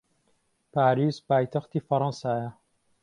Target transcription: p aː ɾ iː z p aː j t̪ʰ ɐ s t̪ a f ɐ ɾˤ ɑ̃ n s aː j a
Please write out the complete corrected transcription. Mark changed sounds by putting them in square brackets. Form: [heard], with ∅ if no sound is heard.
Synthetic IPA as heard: p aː ɾ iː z p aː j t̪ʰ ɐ [x] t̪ [i] f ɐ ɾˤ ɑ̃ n s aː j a